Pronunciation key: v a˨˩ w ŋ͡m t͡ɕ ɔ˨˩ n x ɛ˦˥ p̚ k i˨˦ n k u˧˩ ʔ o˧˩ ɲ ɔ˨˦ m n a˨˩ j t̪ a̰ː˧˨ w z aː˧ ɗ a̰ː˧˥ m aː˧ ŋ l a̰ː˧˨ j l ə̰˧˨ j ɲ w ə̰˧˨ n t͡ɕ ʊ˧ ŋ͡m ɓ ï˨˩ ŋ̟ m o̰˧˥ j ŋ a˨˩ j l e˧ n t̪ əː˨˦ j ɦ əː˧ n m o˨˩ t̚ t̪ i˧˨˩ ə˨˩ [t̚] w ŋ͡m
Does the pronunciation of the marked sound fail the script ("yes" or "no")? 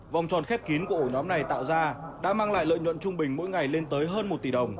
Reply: yes